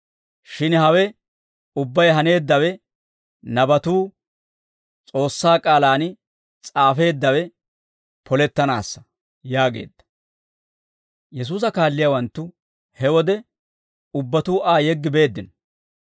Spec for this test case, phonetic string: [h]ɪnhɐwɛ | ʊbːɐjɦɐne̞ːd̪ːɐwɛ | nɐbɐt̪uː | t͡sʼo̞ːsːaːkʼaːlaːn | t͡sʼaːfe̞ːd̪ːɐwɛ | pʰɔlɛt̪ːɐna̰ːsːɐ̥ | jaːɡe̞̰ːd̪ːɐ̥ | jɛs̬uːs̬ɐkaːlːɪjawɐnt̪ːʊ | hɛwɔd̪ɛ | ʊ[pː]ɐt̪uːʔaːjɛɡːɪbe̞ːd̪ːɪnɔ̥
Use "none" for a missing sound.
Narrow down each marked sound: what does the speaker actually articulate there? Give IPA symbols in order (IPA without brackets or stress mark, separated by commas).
ʃ, bː